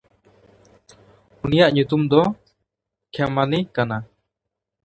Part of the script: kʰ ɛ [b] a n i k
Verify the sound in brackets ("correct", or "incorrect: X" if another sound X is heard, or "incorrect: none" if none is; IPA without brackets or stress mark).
incorrect: m